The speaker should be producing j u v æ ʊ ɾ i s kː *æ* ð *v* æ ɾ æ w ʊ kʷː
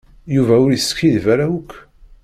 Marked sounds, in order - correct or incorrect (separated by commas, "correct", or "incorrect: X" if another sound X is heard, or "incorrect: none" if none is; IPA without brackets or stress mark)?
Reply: incorrect: i, correct